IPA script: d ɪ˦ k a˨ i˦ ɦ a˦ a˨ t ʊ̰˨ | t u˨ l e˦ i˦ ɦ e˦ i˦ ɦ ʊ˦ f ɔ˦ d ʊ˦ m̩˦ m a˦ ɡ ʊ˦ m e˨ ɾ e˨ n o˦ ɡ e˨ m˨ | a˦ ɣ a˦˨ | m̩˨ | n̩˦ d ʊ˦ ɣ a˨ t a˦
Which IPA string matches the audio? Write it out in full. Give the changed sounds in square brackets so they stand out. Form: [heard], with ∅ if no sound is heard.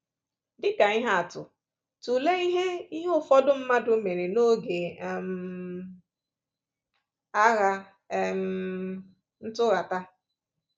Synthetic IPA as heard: d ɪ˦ k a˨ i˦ ɦ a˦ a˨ t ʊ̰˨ | t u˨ l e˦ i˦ ɦ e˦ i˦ ɦ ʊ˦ f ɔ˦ d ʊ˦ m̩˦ m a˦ [d] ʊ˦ m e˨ ɾ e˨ n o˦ ɡ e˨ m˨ | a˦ ɣ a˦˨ | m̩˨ | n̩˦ [t] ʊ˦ ɣ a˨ t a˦